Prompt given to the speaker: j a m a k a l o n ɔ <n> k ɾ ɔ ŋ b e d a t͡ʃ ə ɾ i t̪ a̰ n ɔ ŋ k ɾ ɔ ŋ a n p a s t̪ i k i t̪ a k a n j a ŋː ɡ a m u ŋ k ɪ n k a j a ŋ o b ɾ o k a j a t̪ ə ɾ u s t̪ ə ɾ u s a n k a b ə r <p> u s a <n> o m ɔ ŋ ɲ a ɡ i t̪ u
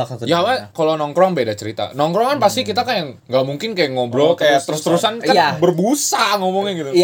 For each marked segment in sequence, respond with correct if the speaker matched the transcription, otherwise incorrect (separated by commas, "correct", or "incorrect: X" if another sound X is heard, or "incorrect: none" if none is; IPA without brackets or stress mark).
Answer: incorrect: ŋ, incorrect: b, incorrect: ŋ